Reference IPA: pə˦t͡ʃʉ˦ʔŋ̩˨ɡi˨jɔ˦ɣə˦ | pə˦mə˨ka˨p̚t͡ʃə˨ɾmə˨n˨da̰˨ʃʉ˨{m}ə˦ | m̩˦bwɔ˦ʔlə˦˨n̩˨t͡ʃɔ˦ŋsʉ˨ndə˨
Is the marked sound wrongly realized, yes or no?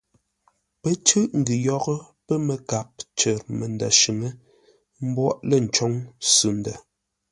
yes